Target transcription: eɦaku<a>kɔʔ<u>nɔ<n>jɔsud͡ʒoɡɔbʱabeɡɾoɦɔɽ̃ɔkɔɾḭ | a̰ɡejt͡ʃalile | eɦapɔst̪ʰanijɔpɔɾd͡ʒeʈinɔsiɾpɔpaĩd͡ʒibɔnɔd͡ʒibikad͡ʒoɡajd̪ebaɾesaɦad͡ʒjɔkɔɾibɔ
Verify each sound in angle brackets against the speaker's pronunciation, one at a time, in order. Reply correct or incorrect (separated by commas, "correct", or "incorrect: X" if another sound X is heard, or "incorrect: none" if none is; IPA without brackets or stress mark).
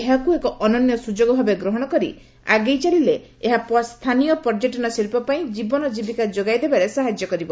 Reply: incorrect: e, incorrect: ɔ, correct